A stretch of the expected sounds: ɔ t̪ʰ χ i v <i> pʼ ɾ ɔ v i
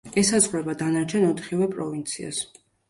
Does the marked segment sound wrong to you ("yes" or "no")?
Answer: yes